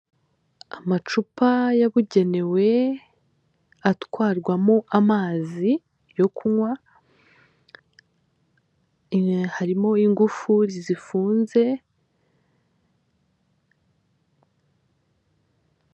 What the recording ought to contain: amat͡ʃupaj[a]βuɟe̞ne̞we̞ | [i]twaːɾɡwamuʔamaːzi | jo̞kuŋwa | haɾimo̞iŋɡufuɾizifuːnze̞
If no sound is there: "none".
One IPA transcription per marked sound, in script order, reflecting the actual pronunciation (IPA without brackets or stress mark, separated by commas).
a, a